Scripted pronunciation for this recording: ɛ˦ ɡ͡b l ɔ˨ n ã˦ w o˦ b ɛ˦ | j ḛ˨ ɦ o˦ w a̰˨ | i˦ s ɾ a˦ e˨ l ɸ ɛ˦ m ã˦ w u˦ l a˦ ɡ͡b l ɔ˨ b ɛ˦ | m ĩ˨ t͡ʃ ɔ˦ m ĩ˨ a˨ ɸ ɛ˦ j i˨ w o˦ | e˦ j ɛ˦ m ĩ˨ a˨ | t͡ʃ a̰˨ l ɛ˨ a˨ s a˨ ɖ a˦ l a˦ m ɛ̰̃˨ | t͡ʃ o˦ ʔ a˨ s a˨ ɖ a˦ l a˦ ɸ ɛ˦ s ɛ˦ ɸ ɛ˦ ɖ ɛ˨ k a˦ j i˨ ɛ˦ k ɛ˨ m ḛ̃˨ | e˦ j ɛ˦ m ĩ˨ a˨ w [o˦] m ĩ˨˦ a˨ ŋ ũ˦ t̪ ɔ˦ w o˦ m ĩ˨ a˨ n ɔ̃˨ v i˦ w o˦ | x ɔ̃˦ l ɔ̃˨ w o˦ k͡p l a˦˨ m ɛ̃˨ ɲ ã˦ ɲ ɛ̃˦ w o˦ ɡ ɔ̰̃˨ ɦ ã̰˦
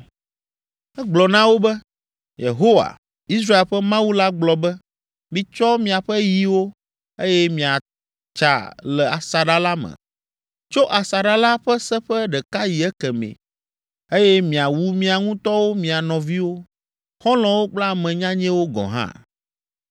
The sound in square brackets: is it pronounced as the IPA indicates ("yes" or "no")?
no